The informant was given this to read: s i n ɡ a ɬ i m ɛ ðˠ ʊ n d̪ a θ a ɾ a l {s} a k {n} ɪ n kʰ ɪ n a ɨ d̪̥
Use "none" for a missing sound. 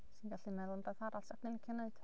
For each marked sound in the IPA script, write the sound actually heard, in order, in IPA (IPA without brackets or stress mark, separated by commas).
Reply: s, n